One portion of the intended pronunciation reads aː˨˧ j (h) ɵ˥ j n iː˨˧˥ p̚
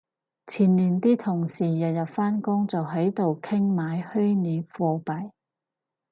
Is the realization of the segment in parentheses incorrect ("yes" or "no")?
no